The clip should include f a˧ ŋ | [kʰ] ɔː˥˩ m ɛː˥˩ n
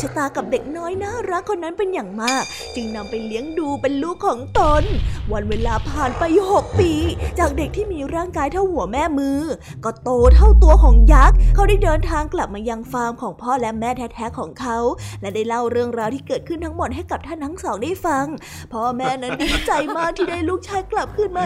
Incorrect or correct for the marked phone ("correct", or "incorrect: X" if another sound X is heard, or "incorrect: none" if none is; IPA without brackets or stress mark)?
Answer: incorrect: pʰ